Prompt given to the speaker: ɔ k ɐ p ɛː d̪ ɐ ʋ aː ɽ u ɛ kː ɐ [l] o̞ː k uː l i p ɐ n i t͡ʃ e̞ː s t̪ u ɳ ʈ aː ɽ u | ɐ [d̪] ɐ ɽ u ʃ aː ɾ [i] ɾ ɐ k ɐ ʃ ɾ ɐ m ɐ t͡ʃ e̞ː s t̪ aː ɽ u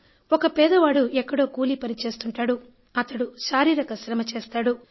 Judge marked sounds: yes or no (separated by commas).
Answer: no, no, no